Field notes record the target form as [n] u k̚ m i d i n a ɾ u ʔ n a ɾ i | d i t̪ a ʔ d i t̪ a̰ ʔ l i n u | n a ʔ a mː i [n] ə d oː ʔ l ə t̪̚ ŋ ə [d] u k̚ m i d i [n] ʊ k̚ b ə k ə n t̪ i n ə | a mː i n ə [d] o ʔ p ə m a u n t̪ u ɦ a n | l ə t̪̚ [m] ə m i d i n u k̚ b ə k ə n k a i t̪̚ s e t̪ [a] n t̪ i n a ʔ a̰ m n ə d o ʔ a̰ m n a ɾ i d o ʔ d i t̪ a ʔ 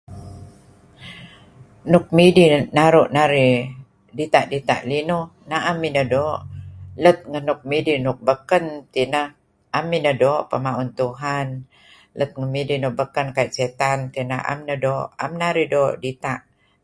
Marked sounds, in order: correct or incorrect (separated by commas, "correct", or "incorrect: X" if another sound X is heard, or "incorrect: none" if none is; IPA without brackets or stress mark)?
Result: correct, correct, incorrect: n, correct, correct, incorrect: ŋ, correct